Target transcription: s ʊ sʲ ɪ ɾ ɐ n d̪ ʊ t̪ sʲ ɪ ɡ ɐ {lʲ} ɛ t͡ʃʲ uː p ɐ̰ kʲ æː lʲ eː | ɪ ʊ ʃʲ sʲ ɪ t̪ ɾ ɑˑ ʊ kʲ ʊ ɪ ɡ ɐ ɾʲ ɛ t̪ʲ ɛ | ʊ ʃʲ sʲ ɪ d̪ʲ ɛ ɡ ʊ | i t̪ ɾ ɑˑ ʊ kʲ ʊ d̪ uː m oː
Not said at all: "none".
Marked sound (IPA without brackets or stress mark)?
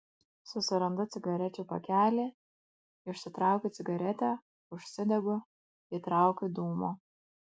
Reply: ɾʲ